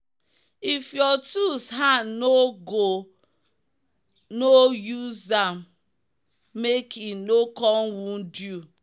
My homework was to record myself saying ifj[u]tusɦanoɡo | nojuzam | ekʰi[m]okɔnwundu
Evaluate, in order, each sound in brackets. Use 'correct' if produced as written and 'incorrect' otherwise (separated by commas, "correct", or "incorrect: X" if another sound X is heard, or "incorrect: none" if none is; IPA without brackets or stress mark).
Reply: incorrect: ɔ, incorrect: n